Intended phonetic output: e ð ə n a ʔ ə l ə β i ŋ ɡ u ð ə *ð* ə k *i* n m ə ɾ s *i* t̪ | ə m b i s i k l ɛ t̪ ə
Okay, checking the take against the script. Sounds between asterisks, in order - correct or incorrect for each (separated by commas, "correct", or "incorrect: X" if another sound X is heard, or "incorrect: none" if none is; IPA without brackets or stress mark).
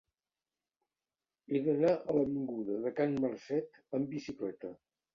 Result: correct, incorrect: a, incorrect: ɛ